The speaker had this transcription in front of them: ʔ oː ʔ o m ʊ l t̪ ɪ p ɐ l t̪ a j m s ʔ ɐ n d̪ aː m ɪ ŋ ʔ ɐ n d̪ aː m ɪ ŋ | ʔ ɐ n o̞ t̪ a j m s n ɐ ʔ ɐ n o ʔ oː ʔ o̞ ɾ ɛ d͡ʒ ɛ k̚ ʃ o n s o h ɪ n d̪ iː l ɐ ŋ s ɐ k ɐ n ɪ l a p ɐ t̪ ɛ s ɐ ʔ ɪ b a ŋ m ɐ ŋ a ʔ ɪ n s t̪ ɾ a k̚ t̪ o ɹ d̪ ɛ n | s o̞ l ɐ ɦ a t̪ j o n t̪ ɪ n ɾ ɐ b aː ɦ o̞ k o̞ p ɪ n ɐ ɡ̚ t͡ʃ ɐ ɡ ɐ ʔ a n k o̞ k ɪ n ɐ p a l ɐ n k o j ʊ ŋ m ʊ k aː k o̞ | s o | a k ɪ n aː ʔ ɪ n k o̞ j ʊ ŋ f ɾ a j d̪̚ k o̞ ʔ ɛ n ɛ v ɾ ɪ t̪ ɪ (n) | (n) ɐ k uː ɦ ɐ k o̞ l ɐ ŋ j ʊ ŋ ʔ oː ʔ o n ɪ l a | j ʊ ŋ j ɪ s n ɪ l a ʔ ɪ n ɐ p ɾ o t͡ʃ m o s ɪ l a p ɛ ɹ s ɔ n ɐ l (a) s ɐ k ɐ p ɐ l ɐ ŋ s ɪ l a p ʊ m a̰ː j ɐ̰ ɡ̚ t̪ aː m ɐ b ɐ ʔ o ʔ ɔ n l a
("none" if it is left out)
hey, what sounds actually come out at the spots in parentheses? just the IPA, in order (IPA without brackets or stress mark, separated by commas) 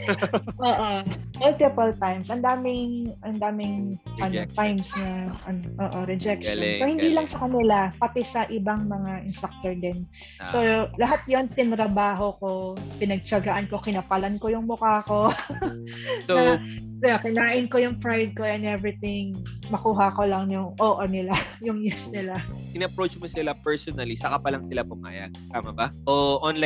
ŋ, m, i